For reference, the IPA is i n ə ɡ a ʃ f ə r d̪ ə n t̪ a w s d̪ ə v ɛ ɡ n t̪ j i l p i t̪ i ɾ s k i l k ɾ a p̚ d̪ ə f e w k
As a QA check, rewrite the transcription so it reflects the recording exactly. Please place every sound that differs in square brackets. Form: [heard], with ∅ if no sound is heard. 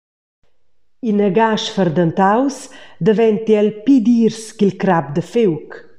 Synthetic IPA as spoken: i n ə ɡ a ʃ f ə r d̪ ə n t̪ a w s d̪ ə v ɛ [∅] n t̪ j [ɛ] l p i [d̪] i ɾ s k i l k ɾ a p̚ d̪ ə f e w k